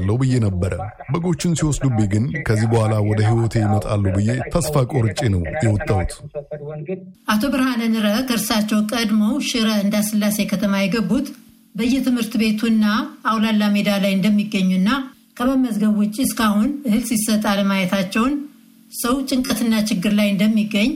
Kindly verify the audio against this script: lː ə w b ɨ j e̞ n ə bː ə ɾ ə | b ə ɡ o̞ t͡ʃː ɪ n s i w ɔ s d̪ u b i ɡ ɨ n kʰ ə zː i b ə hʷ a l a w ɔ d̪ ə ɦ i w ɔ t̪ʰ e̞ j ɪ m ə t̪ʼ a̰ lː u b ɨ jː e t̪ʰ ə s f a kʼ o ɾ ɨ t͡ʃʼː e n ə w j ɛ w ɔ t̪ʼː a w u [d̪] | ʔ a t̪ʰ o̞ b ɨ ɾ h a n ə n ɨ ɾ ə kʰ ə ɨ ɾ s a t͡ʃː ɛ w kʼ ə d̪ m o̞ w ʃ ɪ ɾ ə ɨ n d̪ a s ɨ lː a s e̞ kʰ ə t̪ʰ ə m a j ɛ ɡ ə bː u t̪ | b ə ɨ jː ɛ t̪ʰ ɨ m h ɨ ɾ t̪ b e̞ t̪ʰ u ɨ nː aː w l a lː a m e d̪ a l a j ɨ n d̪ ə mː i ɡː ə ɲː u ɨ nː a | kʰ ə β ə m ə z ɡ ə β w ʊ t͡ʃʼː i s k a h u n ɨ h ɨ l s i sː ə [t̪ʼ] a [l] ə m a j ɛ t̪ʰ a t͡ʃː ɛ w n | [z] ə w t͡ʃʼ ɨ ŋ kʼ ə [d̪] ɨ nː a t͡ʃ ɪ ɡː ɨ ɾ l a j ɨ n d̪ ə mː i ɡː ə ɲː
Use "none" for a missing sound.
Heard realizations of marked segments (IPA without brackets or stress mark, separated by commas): t̪, t̪ʼ, l, s, t̪